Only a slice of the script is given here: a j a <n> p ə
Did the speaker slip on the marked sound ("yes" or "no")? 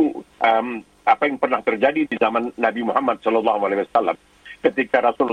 yes